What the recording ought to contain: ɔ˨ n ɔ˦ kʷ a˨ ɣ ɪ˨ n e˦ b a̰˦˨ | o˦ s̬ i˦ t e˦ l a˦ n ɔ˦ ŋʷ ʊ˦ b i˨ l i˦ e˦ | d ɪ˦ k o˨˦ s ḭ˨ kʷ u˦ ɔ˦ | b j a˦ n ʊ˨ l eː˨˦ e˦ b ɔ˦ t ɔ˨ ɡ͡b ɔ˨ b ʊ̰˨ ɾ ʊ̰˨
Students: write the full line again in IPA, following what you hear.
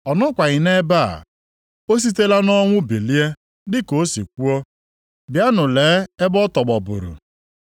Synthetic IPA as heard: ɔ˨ n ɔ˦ kʷ a˨ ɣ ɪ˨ n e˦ b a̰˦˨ | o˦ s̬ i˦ t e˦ l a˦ n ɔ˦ ŋʷ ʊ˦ b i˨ l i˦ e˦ | d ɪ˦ k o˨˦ s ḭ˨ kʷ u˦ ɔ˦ | b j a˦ n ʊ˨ l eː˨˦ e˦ b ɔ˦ t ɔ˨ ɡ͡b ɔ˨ b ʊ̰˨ ɾ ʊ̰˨